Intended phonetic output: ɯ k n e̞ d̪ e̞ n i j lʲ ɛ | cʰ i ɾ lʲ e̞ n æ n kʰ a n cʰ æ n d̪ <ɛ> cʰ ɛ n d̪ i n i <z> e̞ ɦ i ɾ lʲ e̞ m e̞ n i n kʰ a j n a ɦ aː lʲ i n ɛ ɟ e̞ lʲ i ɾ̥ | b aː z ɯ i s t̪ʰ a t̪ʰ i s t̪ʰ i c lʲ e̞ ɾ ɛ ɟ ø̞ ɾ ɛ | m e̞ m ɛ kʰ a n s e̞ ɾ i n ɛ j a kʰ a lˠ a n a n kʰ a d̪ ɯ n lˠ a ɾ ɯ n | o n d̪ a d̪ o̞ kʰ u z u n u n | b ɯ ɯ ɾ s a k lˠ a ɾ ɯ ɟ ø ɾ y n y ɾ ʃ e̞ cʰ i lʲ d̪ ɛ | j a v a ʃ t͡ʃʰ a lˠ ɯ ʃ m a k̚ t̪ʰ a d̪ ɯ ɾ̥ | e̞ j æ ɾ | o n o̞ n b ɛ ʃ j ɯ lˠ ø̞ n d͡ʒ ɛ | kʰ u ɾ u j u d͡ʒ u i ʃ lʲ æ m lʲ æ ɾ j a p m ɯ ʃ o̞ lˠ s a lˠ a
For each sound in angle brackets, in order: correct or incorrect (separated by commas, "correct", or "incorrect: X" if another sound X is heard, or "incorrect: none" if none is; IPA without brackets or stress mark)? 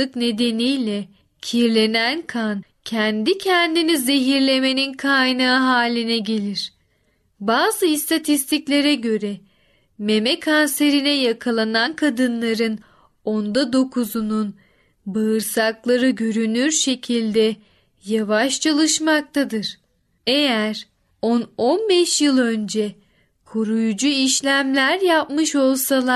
incorrect: i, correct